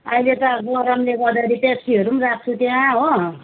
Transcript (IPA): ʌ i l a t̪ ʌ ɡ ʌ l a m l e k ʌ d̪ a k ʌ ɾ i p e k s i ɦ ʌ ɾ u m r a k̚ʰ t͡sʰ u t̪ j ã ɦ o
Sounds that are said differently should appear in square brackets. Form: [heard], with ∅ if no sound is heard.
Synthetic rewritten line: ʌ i l [e] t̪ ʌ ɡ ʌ [ɾ] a m l e [ɡ] ʌ d̪ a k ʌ ɾ i p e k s i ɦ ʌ ɾ u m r a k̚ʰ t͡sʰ u t̪ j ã ɦ o

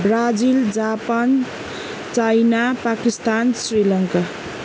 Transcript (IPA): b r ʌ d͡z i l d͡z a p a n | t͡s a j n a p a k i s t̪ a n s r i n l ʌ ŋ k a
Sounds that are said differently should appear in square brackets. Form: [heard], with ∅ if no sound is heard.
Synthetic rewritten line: b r [a] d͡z i l d͡z a p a n | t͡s a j n a p a k i s t̪ a n s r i [∅] l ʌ ŋ k a

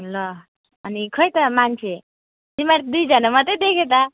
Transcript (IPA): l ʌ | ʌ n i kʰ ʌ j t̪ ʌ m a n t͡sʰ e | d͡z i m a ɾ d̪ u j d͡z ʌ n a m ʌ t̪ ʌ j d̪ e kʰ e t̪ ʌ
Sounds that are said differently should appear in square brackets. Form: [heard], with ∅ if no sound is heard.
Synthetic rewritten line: l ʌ | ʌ n i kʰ ʌ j t̪ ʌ m a n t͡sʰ e | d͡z i m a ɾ d̪ u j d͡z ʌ n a m ʌ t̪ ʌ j d̪ e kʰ e t̪ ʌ

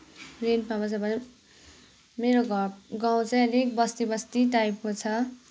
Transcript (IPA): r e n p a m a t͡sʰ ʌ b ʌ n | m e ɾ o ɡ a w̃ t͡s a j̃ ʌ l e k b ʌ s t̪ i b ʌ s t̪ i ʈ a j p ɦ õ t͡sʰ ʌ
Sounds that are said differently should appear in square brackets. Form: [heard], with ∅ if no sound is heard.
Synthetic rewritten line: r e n p a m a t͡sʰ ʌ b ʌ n | m e ɾ o ɡ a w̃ t͡s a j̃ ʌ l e k b ʌ s t̪ i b ʌ s t̪ i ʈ a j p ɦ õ t͡sʰ ʌ

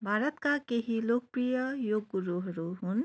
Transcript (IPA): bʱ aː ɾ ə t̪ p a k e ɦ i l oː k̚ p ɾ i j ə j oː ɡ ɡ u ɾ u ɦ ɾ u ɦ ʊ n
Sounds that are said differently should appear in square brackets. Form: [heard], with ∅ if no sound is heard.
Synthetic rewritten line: bʱ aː ɾ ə t̪ [k] a k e ɦ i l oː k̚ p ɾ i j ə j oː ɡ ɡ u ɾ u ɦ ɾ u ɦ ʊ n

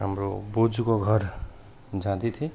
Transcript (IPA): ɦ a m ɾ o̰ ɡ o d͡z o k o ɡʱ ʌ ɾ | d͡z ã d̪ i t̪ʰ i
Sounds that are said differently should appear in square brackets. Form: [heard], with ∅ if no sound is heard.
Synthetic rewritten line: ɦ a m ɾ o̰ [b] o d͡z [u] k o ɡʱ ʌ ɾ | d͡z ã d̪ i t̪ʰ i

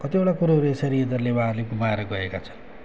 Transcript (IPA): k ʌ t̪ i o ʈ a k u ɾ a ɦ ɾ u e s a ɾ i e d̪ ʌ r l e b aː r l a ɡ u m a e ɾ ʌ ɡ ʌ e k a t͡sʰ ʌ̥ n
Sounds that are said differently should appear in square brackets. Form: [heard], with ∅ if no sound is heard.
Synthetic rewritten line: k ʌ t̪ i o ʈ a k u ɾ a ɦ ɾ u e s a ɾ i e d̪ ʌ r l e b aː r l [e] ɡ u m a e ɾ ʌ ɡ ʌ e k a t͡sʰ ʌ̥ n

